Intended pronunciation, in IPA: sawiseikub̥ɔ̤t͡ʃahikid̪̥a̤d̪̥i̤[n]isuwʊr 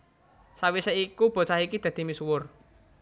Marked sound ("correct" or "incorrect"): incorrect